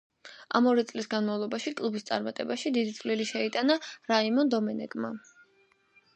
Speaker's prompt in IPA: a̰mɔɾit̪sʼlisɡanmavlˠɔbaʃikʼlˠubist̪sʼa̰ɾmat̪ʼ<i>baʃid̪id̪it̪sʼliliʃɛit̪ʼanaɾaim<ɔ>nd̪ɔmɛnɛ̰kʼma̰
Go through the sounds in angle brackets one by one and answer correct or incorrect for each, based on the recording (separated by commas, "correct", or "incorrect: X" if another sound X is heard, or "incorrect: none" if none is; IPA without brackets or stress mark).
incorrect: ɛ, correct